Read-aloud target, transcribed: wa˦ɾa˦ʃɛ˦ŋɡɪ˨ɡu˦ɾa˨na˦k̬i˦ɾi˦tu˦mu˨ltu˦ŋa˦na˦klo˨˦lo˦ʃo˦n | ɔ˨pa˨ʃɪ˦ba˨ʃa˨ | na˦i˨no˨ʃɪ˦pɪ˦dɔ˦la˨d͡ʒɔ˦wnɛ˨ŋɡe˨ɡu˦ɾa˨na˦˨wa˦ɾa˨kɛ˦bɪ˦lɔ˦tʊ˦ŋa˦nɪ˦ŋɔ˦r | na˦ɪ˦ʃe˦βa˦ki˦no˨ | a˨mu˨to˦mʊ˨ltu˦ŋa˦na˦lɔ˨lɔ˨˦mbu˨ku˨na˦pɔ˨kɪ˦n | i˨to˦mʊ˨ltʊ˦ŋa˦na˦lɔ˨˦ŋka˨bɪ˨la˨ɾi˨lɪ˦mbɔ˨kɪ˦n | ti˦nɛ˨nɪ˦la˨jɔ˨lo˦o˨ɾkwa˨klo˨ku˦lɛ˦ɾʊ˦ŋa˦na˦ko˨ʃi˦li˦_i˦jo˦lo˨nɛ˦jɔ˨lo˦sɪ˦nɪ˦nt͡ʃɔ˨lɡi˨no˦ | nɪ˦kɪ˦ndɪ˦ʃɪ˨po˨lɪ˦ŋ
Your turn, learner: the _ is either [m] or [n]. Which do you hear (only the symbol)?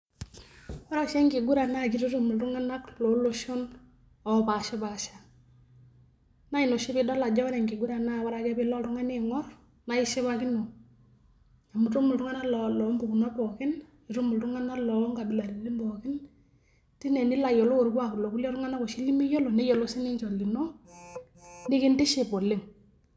m